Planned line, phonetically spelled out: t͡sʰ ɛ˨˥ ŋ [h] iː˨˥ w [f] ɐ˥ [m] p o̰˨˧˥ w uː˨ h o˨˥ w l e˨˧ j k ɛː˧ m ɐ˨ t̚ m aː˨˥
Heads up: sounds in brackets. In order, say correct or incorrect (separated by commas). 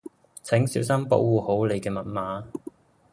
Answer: incorrect, incorrect, correct